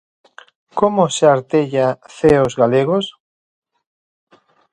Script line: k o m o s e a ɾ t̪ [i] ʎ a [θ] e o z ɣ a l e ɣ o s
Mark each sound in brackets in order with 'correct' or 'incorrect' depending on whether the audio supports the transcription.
incorrect, correct

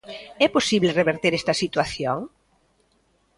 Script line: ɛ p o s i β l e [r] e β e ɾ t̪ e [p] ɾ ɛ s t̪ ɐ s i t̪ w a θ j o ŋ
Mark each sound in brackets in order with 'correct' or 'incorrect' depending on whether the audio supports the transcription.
correct, incorrect

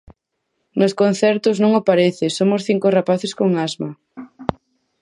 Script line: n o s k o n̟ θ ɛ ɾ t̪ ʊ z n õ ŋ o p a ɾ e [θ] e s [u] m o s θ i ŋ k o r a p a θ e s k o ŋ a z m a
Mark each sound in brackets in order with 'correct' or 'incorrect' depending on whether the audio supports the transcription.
correct, incorrect

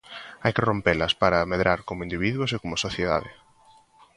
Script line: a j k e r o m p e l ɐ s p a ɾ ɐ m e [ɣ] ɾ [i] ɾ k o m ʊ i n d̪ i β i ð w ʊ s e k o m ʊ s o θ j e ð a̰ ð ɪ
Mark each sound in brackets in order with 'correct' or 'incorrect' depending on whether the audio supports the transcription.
incorrect, incorrect

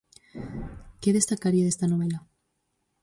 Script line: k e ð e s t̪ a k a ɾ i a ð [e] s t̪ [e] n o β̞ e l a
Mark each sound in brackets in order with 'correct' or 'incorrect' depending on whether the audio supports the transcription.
correct, incorrect

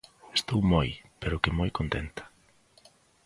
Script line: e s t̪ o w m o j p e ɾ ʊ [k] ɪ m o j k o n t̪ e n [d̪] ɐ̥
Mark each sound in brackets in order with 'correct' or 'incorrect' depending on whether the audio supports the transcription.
correct, incorrect

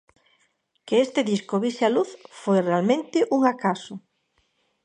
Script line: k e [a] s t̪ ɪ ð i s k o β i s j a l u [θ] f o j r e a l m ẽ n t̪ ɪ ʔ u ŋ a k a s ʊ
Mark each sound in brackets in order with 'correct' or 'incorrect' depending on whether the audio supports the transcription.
incorrect, correct

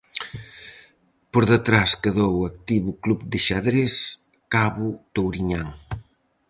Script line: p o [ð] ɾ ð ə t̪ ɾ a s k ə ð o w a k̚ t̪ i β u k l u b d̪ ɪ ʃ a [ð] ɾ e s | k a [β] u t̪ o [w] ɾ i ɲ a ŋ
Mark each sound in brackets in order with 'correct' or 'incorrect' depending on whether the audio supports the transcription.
incorrect, correct, correct, correct

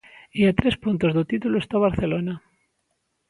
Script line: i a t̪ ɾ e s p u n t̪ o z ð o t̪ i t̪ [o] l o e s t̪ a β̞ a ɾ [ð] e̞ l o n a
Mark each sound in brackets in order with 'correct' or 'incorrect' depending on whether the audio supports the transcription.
incorrect, incorrect

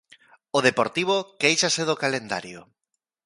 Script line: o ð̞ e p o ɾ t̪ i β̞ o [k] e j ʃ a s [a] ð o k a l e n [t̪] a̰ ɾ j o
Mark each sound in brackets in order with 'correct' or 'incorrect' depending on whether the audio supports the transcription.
correct, incorrect, incorrect

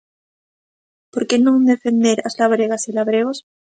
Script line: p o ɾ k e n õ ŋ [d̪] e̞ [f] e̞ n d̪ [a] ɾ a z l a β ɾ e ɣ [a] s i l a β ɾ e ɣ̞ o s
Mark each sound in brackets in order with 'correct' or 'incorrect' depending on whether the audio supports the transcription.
correct, correct, incorrect, correct

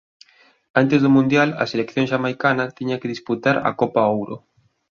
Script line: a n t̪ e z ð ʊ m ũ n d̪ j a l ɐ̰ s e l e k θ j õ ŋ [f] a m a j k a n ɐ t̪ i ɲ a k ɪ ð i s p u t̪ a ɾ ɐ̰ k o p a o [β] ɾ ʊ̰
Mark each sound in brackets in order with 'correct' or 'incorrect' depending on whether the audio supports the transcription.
incorrect, incorrect

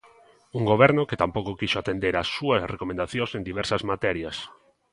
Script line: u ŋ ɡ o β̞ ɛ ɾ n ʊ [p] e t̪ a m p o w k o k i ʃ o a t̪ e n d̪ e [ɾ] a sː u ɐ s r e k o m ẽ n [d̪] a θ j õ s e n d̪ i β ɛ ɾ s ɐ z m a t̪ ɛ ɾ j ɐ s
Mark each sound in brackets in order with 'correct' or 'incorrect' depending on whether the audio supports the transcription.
incorrect, correct, correct

